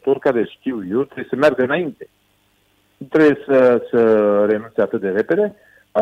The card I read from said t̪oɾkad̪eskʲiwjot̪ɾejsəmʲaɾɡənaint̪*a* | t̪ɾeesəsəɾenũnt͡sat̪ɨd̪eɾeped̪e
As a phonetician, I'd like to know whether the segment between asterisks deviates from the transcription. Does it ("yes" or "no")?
yes